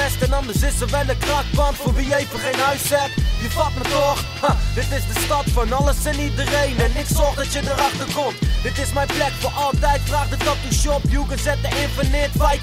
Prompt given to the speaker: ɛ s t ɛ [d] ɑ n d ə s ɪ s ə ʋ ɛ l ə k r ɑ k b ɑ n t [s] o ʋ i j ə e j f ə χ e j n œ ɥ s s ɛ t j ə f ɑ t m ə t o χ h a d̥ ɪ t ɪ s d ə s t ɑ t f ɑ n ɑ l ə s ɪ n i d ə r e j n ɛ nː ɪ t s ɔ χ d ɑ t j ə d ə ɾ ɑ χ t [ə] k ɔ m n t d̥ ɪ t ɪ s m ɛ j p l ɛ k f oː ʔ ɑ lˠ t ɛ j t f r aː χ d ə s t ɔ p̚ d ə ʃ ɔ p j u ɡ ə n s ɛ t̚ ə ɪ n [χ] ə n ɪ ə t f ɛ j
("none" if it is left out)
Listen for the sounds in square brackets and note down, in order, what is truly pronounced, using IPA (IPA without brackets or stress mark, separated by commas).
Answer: n, f, ə, f